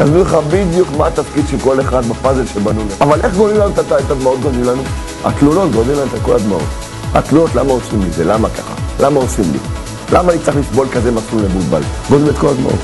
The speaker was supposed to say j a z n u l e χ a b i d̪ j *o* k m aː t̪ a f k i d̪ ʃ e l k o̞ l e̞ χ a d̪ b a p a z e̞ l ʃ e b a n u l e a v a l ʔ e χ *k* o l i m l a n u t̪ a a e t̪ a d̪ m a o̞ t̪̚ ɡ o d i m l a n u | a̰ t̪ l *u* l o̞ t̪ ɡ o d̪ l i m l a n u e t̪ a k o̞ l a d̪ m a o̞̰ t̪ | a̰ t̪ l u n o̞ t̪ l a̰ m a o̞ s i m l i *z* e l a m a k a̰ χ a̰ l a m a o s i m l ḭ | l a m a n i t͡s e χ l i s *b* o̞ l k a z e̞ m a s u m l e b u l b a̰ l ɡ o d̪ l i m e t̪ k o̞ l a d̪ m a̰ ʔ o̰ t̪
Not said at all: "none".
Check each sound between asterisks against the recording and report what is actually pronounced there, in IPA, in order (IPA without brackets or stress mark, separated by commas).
u, ɡ, u, z, b